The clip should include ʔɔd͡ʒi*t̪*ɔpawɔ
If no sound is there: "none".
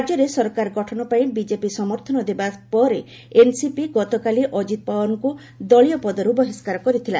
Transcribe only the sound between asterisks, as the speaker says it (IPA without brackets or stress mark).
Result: t̪